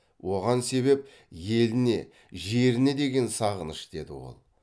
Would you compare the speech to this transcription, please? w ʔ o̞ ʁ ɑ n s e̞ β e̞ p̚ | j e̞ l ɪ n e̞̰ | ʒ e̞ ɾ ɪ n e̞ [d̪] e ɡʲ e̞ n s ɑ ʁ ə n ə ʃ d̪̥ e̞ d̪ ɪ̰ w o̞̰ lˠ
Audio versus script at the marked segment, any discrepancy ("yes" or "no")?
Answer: no